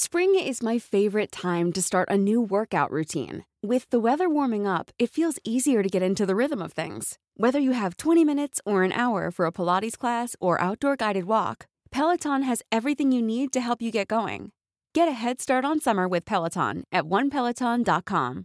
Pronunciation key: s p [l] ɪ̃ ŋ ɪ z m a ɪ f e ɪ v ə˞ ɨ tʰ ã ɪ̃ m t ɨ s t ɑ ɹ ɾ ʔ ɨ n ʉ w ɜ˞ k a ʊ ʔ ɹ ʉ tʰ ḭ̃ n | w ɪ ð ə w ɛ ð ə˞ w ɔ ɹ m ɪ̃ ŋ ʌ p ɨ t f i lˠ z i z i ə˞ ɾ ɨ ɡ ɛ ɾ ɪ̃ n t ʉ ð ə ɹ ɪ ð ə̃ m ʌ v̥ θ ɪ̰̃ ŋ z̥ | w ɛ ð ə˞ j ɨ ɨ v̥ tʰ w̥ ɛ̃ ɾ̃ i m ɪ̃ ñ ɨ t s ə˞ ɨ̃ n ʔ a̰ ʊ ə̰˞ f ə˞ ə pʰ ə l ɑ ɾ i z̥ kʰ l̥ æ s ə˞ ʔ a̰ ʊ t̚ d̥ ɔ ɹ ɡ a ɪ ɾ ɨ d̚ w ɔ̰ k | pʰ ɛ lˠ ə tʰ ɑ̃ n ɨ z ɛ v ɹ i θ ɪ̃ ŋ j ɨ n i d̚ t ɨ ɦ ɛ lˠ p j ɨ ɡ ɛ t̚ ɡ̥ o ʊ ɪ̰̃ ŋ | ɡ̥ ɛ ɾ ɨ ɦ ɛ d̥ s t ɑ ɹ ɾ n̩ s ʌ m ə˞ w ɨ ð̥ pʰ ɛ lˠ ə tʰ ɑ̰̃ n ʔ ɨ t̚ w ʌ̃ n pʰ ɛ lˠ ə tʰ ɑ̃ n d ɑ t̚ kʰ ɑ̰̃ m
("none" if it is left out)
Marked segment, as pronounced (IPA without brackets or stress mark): ɹ